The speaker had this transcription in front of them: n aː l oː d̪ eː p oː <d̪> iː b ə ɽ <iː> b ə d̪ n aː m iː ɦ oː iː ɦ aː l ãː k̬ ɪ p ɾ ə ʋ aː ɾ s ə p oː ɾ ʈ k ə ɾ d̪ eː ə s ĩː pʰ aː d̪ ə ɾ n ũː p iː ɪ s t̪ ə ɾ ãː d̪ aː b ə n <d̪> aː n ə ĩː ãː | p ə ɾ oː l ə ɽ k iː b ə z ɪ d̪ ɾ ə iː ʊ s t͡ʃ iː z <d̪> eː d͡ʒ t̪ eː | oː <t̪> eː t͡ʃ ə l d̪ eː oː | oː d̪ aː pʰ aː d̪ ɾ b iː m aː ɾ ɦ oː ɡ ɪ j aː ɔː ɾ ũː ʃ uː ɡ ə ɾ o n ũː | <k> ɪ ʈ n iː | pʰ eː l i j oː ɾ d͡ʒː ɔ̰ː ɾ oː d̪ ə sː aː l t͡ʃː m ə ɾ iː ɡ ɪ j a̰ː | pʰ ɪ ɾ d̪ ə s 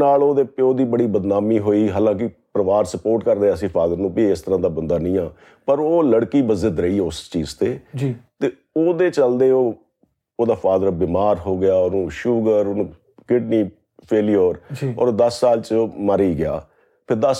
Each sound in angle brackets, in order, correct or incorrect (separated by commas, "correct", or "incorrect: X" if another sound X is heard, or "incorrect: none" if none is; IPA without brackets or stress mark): correct, correct, correct, incorrect: t̪, incorrect: d̪, correct